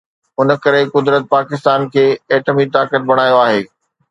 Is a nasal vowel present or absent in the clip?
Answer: absent